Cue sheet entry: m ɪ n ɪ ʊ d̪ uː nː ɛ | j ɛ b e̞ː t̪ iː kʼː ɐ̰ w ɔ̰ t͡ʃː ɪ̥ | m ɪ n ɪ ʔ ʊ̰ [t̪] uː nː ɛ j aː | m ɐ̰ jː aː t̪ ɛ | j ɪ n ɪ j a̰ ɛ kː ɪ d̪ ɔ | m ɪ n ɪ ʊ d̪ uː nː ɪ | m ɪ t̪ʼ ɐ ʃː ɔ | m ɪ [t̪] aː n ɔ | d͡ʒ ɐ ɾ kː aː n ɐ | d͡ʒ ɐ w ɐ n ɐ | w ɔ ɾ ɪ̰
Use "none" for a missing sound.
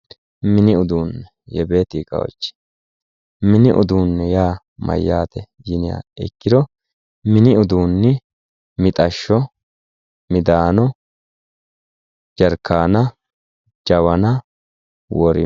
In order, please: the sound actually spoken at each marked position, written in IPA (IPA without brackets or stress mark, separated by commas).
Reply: d̪, d̪